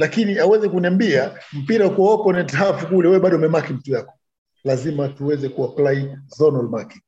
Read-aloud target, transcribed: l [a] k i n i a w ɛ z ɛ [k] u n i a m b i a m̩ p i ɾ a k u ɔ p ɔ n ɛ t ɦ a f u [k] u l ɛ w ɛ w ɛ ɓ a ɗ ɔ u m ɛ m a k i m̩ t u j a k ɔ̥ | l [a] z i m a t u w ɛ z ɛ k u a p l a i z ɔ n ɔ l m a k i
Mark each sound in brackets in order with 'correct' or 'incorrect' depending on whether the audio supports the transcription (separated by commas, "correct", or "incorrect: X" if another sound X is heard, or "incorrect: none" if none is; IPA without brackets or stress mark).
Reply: correct, correct, correct, correct